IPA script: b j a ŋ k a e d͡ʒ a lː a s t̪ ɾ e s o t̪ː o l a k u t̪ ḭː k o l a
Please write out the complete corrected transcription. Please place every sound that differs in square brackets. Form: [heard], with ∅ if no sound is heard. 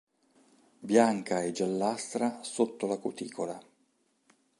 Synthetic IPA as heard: b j a ŋ k a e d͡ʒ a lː a s t̪ ɾ [a] s o t̪ː o l a k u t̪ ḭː k o l a